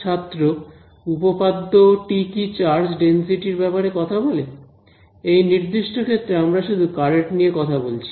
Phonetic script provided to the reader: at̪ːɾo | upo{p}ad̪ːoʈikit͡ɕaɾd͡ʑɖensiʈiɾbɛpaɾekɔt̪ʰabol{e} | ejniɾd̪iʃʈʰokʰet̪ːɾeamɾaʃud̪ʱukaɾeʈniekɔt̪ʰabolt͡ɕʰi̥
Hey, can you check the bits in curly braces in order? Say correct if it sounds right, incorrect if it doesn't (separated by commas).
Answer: correct, correct